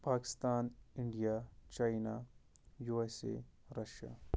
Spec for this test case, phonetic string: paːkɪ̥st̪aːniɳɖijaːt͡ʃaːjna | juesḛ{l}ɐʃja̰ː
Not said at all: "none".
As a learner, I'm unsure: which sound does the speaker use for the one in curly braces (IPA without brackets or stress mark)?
ɾ